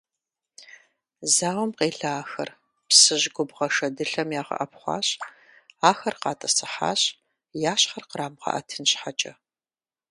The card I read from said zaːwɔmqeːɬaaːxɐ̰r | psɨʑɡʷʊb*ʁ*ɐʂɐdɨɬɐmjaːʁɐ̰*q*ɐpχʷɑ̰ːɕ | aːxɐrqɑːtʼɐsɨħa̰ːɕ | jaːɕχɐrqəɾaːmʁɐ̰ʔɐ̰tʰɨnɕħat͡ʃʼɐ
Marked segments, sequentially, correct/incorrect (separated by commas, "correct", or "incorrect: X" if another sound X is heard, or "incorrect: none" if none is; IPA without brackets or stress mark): correct, incorrect: ʔ